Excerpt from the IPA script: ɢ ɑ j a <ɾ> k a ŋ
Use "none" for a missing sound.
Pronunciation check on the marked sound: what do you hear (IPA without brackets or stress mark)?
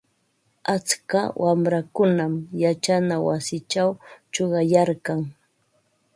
ɾ